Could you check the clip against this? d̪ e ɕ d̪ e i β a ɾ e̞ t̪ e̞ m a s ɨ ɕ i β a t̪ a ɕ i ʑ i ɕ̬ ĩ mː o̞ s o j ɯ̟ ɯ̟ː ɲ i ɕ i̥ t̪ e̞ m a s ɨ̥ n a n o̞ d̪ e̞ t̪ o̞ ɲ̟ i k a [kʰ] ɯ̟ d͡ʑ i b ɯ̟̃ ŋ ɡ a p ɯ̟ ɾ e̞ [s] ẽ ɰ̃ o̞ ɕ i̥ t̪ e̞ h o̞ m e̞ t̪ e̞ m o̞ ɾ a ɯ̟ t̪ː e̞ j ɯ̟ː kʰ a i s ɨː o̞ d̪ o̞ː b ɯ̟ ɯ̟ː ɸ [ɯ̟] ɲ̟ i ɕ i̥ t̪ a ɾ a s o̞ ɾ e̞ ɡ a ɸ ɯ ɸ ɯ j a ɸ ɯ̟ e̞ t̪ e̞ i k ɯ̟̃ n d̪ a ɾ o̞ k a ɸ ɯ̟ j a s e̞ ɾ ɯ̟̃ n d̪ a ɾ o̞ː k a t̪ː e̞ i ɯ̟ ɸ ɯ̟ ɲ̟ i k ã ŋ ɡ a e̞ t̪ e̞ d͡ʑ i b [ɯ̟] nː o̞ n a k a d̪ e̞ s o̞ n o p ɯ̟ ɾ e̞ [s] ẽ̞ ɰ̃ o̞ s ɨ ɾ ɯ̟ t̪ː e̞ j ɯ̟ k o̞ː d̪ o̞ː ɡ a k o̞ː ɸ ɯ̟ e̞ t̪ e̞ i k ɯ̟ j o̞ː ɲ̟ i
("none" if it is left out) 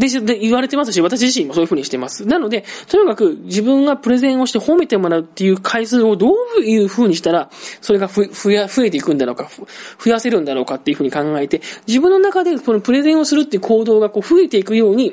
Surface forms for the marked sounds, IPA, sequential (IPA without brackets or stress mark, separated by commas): k, z, ɯ̟ː, ɯ̟̃, z